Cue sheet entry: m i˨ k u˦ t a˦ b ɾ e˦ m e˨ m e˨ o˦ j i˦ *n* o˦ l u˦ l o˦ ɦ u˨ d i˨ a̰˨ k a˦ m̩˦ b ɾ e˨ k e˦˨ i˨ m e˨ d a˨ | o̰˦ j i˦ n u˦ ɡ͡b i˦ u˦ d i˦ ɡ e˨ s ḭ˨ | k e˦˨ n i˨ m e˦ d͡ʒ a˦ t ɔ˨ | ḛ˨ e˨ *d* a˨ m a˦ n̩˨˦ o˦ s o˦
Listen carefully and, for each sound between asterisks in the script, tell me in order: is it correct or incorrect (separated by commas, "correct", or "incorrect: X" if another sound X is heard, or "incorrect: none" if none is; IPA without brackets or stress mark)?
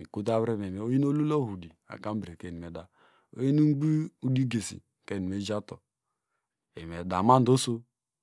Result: correct, correct